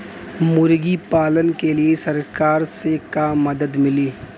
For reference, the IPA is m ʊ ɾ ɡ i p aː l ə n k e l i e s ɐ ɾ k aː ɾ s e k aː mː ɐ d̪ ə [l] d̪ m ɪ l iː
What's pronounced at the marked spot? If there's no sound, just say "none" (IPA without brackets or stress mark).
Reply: none